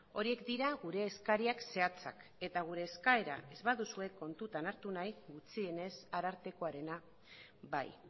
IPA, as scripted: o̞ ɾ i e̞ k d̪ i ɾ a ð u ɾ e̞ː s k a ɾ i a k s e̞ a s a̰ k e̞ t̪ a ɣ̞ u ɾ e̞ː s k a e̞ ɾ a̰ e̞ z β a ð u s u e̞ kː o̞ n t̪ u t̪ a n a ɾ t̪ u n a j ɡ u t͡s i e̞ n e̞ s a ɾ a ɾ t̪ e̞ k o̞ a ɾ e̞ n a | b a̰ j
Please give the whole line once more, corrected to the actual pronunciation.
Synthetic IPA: o̞ ɾ i e̞ k d̪ i ɾ a ɣ u ɾ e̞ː s k a ɾ i a k s e̞ a t͡s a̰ k e̞ t̪ a ɣ̞ u ɾ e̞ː s k a e̞ ɾ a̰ e̞ z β a ð u s u e̞ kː o̞ n t̪ u t̪ a n a ɾ t̪ u n a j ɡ u t͡s i e̞ n e̞ s a ɾ a ɾ t̪ e̞ k o̞ a ɾ e̞ n a | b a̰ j